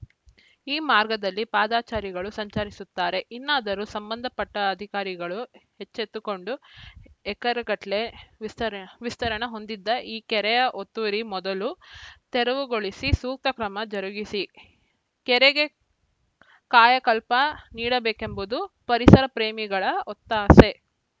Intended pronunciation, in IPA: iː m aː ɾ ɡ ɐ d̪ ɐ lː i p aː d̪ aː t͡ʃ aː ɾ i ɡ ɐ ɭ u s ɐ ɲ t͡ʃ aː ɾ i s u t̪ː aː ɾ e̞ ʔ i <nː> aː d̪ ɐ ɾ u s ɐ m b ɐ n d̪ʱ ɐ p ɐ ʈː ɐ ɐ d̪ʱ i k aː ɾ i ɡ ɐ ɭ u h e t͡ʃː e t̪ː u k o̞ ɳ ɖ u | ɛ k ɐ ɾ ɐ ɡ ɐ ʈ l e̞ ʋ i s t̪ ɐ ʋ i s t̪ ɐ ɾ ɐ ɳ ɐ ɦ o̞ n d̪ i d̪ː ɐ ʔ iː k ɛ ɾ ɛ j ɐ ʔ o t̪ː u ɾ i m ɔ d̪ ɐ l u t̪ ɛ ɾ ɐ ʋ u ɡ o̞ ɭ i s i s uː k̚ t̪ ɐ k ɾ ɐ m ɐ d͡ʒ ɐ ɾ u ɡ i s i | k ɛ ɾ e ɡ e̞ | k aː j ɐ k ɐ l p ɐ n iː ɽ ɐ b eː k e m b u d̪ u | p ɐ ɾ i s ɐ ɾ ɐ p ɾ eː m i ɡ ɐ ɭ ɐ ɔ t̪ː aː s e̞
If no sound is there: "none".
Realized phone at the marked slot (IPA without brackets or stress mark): nː